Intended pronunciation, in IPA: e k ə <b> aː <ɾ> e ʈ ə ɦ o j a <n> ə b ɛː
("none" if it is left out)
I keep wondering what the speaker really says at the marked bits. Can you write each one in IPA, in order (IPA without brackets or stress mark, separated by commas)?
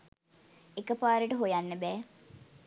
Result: p, ɾ, nː